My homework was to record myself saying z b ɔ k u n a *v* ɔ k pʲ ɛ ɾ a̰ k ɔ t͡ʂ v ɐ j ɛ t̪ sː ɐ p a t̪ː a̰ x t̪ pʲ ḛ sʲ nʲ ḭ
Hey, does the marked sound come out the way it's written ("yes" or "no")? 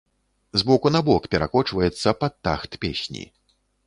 no